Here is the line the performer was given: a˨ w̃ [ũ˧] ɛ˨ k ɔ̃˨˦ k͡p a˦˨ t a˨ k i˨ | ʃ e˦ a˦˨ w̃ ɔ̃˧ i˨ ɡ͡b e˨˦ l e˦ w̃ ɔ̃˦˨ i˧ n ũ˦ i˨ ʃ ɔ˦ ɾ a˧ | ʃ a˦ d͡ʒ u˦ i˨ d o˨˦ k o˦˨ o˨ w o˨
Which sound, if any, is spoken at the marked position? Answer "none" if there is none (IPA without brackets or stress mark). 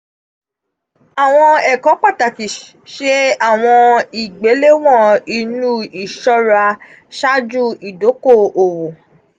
ɔ̃˧